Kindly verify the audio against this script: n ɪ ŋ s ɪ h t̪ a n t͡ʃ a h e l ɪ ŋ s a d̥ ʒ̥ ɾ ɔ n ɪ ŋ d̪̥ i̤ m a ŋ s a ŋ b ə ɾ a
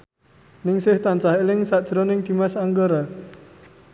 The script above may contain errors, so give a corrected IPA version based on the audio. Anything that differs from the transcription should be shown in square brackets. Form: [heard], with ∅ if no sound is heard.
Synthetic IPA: n ɪ ŋ s ɪ h t̪ a n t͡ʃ a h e l ɪ ŋ s a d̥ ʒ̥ ɾ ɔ n ɪ ŋ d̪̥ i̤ m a [∅] s a ŋ [ɡ] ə ɾ a